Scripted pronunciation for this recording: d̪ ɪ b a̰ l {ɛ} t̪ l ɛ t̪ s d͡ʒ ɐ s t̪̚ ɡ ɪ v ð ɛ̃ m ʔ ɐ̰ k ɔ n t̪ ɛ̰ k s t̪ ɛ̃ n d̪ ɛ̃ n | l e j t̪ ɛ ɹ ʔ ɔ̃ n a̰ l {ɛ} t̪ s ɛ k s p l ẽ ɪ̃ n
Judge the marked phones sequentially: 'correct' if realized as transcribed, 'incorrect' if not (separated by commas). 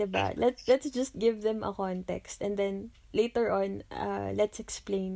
correct, correct